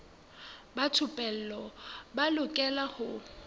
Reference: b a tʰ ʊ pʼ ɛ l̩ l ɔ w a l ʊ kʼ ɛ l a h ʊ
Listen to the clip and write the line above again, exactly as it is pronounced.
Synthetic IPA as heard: b a tʰ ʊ pʼ ɛ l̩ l ɔ b a l ʊ kʼ ɛ l a h ʊ